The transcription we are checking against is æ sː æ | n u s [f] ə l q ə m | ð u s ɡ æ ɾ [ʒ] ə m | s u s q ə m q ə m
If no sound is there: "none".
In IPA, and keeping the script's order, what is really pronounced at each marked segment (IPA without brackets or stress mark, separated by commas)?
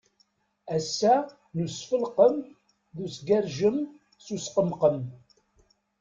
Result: f, ʒ